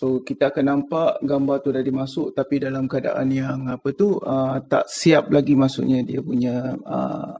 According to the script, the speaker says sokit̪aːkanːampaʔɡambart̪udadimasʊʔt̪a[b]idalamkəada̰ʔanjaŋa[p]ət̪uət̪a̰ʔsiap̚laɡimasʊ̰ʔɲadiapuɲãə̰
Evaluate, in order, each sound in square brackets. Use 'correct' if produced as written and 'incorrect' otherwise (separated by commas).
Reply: incorrect, correct